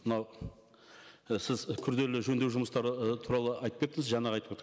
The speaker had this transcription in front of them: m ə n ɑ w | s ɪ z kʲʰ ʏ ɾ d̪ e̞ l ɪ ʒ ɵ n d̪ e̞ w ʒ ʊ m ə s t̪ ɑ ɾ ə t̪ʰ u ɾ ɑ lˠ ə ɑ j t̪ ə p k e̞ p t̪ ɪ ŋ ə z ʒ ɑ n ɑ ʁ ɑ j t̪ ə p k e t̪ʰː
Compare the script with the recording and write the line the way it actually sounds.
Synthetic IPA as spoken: m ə n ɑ w | s ɪ z kʲʰ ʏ ɾ d̪ e̞ l ɪ ʒ ɵ n d̪ e̞ w ʒ ʊ m ə s t̪ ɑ ɾ ə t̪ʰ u ɾ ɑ lˠ ə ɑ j t̪ ə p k e̞ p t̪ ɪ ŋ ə z ʒ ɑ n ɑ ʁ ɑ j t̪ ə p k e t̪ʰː